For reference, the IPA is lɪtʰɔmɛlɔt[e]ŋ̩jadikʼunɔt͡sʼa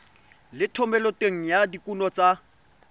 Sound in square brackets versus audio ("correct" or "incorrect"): correct